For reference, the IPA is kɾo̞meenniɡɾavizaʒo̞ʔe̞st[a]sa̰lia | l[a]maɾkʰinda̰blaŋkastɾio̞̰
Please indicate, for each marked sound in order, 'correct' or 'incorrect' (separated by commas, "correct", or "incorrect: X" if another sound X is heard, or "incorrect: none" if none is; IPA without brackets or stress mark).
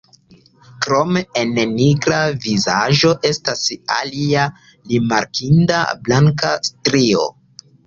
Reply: correct, incorrect: i